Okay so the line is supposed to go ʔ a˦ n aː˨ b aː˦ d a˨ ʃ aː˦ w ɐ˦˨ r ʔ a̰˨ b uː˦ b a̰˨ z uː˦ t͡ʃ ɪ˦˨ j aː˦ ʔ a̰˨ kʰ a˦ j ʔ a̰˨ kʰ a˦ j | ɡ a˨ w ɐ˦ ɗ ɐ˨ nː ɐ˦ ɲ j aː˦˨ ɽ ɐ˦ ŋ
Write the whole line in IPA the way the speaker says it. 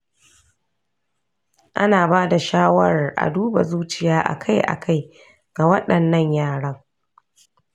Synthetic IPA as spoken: ʔ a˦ n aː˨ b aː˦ d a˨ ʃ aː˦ w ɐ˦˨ r ʔ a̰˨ d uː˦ b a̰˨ z uː˦ t͡ʃ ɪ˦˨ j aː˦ ʔ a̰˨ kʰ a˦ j ʔ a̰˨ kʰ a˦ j | ɡ a˨ w ɐ˦ ɗ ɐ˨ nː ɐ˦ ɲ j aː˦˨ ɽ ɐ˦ ŋ